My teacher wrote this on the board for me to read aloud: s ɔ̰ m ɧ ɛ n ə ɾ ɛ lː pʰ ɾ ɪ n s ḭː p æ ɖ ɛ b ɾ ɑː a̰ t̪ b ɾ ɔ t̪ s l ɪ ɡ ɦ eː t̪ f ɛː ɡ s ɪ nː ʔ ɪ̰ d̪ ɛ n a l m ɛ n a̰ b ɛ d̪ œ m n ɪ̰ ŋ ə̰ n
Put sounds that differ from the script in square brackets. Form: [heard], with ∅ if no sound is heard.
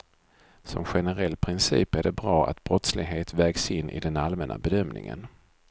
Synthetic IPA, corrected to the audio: s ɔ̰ m ɧ ɛ n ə ɾ ɛ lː pʰ ɾ ɪ n s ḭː p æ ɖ ɛ b ɾ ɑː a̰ t̪ b ɾ ɔ t̪ s l ɪ ɡ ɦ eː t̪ [v] ɛː ɡ s ɪ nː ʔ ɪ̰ d̪ ɛ n a l m ɛ n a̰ b ɛ d̪ œ m n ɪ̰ ŋ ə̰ n